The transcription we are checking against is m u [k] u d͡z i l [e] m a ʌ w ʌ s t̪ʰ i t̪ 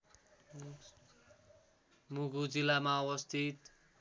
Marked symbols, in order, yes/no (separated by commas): no, no